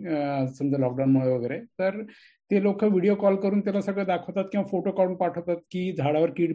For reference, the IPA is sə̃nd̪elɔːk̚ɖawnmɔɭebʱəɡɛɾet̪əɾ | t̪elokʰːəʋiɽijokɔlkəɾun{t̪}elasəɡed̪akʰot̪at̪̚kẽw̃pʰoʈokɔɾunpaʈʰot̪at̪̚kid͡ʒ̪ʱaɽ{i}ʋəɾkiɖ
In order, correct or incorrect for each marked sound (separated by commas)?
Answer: correct, incorrect